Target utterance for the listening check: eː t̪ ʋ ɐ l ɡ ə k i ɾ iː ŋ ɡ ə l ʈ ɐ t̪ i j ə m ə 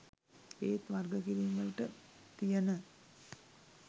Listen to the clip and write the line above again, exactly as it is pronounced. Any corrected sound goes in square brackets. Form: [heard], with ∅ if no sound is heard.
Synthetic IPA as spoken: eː t̪ ʋ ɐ [r] ɡ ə k i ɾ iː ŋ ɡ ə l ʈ [ə] t̪ i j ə [n] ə